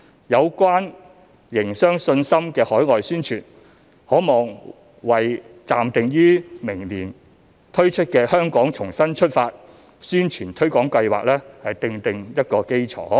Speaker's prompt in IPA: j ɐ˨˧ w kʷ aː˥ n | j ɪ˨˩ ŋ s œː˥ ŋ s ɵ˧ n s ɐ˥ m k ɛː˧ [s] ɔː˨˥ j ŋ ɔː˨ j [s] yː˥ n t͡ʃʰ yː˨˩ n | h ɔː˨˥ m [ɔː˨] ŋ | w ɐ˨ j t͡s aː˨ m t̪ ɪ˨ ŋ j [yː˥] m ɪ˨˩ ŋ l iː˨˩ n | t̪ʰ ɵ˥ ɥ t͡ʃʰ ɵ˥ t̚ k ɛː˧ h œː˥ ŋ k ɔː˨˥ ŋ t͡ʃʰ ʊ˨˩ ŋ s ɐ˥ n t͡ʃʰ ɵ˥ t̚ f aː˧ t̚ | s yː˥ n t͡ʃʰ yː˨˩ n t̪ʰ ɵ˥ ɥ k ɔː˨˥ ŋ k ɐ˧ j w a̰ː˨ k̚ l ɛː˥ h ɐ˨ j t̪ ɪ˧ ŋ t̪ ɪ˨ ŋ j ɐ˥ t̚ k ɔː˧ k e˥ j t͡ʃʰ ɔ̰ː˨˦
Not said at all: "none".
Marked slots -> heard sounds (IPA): h, s, ɔː˨, yː˥

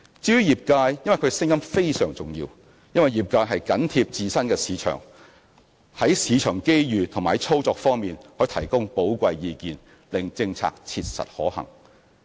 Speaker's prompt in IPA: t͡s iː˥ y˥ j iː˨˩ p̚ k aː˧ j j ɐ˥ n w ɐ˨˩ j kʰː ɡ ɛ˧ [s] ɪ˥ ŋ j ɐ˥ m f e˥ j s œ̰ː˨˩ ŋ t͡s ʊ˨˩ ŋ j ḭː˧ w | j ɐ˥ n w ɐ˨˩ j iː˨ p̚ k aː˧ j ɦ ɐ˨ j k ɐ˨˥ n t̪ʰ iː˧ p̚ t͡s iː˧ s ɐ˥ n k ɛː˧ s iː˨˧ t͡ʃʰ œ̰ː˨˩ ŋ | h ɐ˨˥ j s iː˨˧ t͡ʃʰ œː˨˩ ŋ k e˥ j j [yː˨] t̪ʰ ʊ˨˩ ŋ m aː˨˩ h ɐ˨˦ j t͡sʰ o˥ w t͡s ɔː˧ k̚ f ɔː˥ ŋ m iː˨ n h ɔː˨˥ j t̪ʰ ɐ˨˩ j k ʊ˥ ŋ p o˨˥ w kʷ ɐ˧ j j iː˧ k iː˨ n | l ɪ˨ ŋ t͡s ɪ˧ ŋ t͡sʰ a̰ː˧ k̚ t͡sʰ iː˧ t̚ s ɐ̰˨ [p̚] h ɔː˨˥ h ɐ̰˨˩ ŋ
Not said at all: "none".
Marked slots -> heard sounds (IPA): s, yː˨, t̚

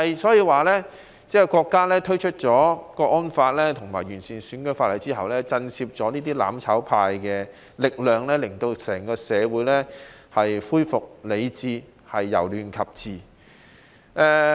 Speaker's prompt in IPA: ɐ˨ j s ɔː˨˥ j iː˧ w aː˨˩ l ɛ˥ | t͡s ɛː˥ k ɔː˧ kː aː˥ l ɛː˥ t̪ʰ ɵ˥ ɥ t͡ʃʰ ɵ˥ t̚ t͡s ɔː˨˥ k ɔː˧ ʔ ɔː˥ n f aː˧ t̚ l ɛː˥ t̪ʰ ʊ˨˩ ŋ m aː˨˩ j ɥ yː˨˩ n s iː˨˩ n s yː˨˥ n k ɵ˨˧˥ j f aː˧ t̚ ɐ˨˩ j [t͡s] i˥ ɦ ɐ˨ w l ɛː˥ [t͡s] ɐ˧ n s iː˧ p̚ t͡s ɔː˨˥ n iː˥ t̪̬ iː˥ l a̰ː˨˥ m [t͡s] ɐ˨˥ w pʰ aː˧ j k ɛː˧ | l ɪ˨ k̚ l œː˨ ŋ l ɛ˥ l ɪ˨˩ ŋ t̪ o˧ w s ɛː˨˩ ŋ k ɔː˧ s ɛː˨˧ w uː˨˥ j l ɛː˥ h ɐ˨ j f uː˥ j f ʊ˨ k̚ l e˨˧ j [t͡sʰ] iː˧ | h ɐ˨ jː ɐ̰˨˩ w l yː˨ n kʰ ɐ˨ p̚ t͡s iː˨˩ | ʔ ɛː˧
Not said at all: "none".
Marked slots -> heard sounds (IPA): t͡s, t͡s, t͡sʰ, t͡s

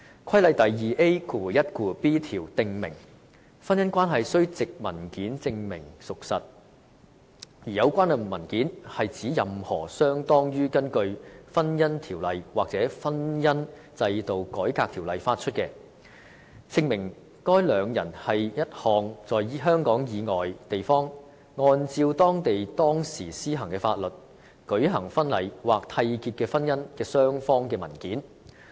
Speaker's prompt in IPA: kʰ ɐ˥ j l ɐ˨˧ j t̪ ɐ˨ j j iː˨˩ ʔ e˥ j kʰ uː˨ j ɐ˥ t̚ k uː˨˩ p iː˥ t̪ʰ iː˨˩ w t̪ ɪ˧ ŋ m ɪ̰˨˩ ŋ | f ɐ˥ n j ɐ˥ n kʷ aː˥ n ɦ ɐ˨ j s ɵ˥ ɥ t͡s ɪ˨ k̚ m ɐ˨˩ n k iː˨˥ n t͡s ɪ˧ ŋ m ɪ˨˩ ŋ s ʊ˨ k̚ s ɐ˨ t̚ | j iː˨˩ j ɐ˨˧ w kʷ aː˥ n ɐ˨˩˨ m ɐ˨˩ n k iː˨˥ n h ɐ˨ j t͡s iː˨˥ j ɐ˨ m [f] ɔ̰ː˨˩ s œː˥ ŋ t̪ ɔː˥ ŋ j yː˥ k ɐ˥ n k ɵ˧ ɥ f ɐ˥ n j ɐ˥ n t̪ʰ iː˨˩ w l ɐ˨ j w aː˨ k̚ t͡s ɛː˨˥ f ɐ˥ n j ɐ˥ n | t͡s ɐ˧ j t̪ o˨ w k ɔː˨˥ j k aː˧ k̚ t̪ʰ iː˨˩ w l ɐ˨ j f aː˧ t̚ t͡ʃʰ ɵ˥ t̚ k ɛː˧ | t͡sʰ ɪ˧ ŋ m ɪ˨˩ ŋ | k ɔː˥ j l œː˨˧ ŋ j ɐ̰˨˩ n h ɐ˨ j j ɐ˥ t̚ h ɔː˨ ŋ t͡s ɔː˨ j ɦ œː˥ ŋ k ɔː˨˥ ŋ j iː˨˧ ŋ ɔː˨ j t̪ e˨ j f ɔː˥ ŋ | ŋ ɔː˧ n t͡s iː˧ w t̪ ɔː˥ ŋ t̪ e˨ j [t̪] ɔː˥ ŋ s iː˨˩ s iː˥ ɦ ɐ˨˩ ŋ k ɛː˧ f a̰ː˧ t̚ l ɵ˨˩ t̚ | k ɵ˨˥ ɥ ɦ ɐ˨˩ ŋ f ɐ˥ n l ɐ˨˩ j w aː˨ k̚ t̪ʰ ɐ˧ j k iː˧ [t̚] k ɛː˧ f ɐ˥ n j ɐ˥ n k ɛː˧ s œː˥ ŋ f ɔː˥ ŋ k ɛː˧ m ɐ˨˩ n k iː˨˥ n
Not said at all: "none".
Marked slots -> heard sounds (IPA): h, t̪, t̚

